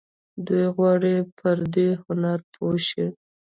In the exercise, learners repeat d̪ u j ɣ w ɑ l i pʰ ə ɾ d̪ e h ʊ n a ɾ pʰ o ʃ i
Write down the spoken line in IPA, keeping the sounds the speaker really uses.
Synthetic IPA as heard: d̪ u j ɣ w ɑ ɽ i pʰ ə ɾ d̪ e h ʊ n a ɾ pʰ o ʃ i